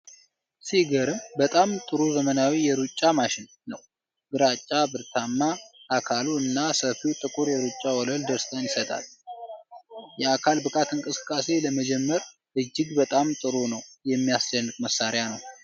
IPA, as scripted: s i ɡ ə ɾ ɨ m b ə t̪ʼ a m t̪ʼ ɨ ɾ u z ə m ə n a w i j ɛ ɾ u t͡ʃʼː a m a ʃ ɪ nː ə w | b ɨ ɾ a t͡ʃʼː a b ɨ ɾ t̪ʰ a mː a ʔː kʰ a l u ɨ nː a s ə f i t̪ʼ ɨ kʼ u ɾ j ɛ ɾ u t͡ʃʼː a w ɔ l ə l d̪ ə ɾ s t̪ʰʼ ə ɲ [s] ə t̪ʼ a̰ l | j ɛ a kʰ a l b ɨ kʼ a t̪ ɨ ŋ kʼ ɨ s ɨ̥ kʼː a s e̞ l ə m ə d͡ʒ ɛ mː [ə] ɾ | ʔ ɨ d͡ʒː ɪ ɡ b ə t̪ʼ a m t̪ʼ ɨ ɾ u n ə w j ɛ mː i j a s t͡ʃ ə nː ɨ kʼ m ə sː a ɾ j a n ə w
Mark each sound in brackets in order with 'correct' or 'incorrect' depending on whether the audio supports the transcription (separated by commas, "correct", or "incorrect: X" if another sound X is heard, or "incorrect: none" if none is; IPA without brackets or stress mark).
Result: correct, correct